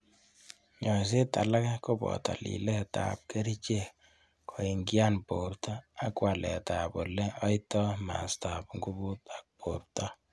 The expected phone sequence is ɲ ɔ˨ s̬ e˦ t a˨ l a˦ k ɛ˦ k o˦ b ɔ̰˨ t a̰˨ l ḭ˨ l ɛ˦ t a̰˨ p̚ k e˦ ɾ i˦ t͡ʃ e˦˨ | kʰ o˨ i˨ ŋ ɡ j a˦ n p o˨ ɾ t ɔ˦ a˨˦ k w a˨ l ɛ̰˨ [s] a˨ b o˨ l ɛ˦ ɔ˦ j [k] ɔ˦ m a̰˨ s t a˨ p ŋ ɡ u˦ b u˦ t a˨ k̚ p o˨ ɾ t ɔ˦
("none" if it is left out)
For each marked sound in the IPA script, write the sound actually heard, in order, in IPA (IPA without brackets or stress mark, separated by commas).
t, t